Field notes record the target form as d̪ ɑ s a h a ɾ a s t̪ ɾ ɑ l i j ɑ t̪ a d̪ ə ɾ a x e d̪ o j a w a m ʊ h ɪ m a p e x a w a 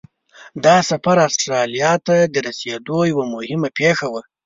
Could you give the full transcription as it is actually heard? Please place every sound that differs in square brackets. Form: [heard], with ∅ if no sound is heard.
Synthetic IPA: d̪ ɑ s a [f] a ɾ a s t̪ ɾ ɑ l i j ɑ t̪ a d̪ ə ɾ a [s] e d̪ o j a w a m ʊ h ɪ m a p e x a w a

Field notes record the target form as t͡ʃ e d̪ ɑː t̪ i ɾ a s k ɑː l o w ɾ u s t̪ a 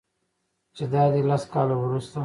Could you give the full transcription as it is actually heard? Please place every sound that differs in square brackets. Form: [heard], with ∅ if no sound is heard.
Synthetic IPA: t͡ʃ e d̪ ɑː [d̪] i [l] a s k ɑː l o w ɾ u s t̪ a

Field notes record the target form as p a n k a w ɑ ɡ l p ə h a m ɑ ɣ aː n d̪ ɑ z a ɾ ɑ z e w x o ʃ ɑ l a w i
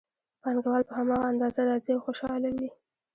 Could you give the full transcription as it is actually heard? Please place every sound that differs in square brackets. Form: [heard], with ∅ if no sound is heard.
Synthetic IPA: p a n [ɡ] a w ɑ [∅] l p ə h a m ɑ ɣ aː n d̪ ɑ z a ɾ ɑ z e w x o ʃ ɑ l a w i

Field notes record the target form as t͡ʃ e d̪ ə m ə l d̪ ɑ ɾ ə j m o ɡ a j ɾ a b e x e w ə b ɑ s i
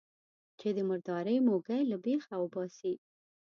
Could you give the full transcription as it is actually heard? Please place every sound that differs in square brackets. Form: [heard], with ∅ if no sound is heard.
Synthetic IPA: t͡ʃ e d̪ ə m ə [ɾ] d̪ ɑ ɾ ə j m o ɡ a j [l] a b e x [a] w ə b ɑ s i

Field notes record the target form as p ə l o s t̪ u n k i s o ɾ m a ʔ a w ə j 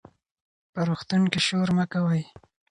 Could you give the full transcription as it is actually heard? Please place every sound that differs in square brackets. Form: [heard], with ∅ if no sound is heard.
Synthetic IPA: p ə [ɾ] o [x] t̪ u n k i [ʃ] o ɾ m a [k] a w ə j

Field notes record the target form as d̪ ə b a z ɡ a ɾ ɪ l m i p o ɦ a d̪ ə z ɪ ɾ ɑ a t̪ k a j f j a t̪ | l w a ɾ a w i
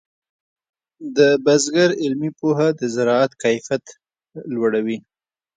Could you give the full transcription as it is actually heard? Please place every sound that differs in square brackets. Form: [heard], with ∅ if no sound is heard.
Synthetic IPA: d̪ ə b a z ɡ a ɾ ɪ l m i p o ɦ a d̪ ə z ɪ ɾ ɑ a t̪ k a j f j a t̪ | l w a [ɽ] a w i

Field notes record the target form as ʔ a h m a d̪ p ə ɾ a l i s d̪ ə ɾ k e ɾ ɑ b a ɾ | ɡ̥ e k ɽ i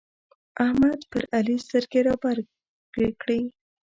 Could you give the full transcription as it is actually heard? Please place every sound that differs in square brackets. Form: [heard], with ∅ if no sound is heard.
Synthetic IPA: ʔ a h m a d̪ p ə ɾ a l i s [t̪] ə ɾ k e ɾ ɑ b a ɾ | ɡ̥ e k ɽ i

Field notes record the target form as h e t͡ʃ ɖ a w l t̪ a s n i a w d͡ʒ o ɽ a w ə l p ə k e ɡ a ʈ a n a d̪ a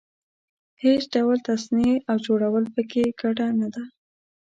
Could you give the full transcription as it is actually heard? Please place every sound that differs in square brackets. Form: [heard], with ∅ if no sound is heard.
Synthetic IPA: h e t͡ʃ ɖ a w l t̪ a s n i a w d͡ʒ o ɽ a w ə l p ə k e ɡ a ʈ a n a d̪ a

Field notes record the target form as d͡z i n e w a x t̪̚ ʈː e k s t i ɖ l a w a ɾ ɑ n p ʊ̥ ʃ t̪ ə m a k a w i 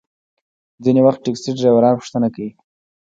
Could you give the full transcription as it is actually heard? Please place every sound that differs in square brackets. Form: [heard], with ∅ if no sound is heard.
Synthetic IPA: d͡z i n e w a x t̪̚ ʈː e k s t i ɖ [ɾ] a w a ɾ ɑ n p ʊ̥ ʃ t̪ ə [n] a k a w i

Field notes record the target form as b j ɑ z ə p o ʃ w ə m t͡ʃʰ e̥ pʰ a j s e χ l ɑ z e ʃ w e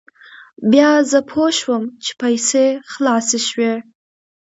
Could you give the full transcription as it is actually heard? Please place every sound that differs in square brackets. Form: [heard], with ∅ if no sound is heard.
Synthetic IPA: b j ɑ z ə [pʰ] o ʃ w ə m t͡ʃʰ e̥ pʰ a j s e χ l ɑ [s] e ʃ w e

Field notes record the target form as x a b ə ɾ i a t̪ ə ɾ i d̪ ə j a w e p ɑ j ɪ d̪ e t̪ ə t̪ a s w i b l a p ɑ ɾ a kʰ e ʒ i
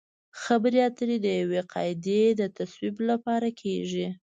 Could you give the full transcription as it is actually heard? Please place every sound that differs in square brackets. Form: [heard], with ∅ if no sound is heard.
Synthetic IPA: x a b ə ɾ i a t̪ ə ɾ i d̪ ə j a w e [q] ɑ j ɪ d̪ e [d̪] ə t̪ a s w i b l a p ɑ ɾ a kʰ e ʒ i

